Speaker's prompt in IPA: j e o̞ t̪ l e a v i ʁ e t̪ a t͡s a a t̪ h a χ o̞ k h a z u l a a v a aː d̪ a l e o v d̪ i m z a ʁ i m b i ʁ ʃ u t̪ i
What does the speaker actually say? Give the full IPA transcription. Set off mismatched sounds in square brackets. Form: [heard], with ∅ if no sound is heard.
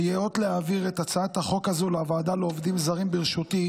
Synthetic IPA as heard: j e o̞ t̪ l e a v i ʁ e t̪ a t͡s a a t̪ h a χ o̞ k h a z u l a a v a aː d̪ a l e o v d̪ i m z a ʁ i m b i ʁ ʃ u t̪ i